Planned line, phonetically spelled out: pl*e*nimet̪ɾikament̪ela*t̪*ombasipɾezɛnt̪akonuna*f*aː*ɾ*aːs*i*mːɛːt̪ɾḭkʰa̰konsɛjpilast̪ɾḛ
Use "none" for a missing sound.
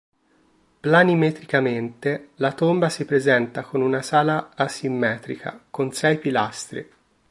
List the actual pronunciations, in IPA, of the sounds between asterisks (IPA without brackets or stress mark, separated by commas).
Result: a, t̪, s, l, i